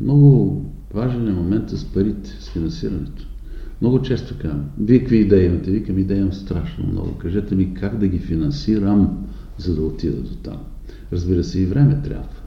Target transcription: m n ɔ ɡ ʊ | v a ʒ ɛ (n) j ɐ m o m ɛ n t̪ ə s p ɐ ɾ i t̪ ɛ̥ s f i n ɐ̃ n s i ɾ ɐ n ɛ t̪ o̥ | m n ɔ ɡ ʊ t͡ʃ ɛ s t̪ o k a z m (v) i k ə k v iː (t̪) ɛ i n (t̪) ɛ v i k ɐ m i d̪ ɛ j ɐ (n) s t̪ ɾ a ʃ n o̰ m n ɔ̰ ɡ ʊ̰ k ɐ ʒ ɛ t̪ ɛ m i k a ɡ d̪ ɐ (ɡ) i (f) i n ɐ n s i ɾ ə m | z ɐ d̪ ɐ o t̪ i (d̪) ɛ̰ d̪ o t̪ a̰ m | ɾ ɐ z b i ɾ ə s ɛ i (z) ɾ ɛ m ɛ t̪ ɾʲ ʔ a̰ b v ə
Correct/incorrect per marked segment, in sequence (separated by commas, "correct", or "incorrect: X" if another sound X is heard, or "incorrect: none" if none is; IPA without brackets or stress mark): correct, correct, incorrect: d̪, correct, incorrect: m, correct, correct, correct, incorrect: v